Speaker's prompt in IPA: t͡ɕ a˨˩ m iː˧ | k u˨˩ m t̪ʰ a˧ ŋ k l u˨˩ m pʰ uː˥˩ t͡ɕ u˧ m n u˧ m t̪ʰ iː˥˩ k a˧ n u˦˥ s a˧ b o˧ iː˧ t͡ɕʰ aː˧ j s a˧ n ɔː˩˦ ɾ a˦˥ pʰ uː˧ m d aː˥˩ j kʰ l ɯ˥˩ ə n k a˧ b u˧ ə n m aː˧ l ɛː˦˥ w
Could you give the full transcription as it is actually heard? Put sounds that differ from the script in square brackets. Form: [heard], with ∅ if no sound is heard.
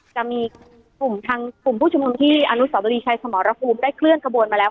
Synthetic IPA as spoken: t͡ɕ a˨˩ m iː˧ | k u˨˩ m t̪ʰ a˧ ŋ k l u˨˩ m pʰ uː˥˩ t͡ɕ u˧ m n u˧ m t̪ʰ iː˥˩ [ʔ] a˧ n u˦˥ s [a˩˦] b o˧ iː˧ t͡ɕʰ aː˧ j s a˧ [m] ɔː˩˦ ɾ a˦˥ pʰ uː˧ m d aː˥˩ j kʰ l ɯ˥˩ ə n k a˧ b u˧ ə n m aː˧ l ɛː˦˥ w